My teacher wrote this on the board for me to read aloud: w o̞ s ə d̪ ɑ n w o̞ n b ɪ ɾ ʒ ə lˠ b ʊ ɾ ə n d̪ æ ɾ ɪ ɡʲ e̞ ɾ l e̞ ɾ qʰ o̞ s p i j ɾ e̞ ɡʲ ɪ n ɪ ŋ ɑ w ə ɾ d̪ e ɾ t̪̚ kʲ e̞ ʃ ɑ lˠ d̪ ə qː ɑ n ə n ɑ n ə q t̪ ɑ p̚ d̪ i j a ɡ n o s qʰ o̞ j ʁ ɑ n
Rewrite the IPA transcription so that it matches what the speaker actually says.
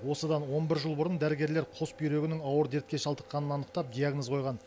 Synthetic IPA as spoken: w o̞ s ə d̪ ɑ n w o̞ n b ɪ ɾ ʒ ə lˠ b ʊ ɾ ə n d̪ æ ɾ ɪ ɡʲ e̞ ɾ l e̞ ɾ qʰ o̞ s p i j ɾ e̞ ɡʲ ɪ n ɪ ŋ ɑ w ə ɾ d̪ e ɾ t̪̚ kʲ e̞ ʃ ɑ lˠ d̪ ə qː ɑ n ə n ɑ n ə q t̪ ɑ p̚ d̪ i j a ɡ n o z qʰ o̞ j ʁ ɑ n